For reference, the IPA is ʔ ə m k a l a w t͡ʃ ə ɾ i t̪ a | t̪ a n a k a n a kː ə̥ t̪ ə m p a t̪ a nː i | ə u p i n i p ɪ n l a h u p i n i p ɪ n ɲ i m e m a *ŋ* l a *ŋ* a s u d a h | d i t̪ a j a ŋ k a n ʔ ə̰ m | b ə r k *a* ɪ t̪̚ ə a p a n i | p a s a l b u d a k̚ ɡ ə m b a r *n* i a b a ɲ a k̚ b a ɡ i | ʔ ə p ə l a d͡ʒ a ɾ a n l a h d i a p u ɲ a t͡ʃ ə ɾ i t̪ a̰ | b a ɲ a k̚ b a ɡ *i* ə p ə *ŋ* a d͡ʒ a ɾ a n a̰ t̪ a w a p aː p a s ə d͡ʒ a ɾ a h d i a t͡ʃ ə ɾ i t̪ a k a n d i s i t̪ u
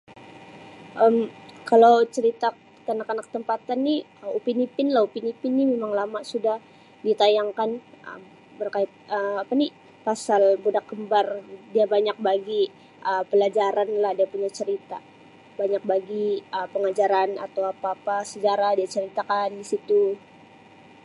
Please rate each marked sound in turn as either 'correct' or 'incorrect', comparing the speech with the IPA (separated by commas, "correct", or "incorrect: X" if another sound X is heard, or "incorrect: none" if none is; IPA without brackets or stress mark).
correct, incorrect: m, correct, incorrect: d, correct, correct